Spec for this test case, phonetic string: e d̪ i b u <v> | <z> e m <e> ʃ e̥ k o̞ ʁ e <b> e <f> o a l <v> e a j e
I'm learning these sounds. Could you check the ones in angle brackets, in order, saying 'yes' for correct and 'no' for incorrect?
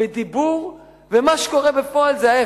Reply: no, no, no, yes, yes, no

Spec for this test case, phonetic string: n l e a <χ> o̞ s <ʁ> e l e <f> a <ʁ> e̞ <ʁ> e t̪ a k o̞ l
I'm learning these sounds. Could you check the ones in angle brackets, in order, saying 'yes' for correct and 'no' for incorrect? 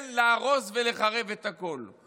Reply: no, no, no, yes, no

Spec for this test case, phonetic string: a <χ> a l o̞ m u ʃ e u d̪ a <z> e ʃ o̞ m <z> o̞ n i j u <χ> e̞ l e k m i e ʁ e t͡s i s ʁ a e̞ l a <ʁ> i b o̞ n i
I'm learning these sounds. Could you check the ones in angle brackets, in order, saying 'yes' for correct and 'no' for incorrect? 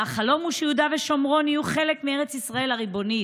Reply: yes, no, no, yes, yes

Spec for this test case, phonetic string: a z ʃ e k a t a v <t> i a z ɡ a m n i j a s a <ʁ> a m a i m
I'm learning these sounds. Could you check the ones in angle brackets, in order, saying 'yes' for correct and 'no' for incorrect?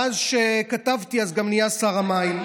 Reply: yes, yes

